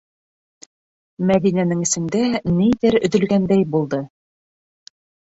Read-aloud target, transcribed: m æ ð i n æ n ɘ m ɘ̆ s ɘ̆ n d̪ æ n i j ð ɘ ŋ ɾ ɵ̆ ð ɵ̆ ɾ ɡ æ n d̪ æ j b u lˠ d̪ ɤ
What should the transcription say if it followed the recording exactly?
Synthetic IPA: m æ ð i n æ n ɘ ŋ ɘ̆ s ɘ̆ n d̪ æ n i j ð ɘ ɾ ɵ̆ ð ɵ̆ l ɡ æ n d̪ æ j b u lˠ d̪ ɤ